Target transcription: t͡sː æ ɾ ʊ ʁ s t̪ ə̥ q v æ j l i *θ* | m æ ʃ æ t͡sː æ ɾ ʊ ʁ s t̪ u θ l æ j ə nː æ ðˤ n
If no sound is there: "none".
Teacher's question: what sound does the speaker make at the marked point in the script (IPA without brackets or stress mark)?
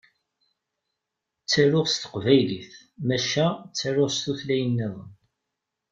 θ